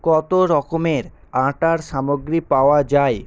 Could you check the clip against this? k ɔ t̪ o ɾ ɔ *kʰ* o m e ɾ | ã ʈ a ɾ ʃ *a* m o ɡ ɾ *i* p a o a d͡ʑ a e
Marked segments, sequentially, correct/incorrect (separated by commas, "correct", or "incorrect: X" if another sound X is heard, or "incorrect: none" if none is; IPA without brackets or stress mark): incorrect: k, correct, correct